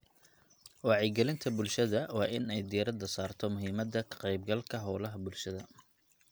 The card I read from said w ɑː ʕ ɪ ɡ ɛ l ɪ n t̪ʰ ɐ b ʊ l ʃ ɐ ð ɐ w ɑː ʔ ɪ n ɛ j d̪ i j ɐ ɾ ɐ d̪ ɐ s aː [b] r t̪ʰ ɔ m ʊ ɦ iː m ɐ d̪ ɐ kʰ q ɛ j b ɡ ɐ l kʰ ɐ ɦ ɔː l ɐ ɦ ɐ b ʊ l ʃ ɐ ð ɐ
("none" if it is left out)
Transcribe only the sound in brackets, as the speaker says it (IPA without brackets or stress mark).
none